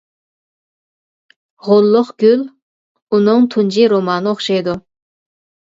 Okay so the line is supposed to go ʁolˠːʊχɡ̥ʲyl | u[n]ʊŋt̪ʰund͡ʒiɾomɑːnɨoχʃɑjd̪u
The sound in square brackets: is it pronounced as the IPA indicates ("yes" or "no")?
yes